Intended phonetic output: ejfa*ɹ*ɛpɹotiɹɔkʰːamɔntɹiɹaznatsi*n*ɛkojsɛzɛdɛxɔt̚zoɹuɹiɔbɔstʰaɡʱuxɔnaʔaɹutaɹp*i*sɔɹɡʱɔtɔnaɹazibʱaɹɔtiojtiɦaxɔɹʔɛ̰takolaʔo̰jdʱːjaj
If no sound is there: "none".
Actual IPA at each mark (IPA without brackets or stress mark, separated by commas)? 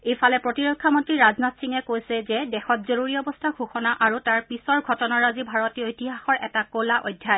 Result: l, ŋ, i